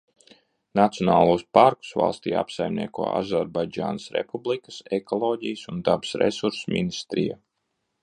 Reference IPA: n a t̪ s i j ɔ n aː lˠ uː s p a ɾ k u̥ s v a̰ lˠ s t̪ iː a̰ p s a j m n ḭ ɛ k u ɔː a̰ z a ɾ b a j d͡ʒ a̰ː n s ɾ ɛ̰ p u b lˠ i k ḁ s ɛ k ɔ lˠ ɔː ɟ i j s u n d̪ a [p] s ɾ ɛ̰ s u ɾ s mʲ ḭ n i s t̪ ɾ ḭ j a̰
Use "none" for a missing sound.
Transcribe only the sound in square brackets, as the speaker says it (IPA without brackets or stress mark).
b